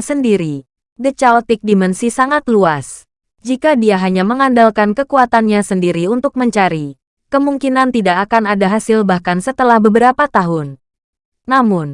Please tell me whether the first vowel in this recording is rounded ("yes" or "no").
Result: no